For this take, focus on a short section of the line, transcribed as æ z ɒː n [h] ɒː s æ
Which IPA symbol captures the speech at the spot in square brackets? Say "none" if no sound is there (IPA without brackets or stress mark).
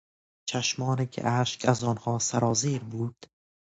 h